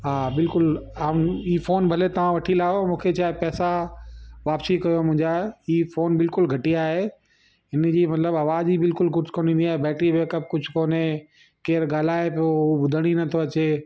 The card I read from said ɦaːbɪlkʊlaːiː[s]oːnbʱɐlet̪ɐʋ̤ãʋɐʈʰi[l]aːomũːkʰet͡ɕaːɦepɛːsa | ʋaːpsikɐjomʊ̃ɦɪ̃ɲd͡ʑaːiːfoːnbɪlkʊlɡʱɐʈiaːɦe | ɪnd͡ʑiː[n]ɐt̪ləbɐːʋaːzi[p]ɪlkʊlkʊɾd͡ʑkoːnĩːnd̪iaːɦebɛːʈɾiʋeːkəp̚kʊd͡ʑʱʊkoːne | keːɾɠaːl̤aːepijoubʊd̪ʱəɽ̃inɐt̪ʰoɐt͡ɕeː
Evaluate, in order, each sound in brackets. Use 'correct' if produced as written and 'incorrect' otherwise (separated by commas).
incorrect, correct, incorrect, incorrect